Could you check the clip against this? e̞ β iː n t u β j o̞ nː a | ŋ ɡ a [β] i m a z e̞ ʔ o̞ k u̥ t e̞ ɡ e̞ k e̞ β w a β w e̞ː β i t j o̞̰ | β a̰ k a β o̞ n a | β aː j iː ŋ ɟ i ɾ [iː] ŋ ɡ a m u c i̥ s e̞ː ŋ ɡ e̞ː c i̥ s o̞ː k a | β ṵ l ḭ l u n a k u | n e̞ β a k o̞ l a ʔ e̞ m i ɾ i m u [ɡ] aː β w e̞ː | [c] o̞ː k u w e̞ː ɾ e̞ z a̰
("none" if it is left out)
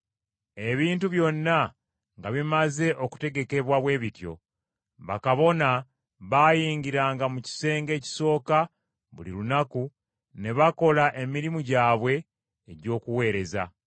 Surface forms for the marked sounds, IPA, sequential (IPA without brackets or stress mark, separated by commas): β, aː, ɟ, ɟ